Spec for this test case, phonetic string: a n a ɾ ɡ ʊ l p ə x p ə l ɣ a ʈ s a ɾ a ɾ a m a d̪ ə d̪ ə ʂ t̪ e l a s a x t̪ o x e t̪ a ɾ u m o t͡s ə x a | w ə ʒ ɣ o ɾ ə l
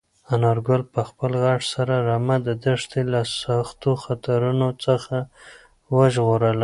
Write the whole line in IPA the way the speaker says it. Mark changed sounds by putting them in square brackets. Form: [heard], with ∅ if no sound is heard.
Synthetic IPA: a n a ɾ ɡ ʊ l p ə x p ə l ɣ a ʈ s a ɾ a ɾ a m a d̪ ə d̪ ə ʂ t̪ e l a s a x t̪ o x [a] t̪ a ɾ u [n] o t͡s ə x a | w ə ʒ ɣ o ɾ ə l